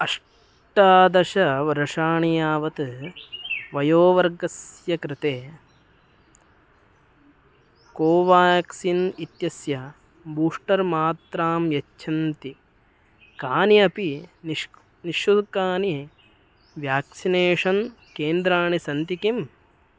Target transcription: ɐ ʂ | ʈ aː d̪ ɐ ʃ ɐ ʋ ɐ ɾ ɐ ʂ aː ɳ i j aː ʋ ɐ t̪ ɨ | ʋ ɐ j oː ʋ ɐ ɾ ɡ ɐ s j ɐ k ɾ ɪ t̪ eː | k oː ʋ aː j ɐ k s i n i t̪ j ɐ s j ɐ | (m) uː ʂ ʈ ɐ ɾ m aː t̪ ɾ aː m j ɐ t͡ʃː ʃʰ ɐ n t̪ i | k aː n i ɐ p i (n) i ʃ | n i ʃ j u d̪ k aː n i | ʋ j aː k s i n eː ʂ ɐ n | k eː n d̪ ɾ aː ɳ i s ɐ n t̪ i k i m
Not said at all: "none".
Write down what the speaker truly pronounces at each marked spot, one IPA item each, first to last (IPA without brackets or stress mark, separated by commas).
b, n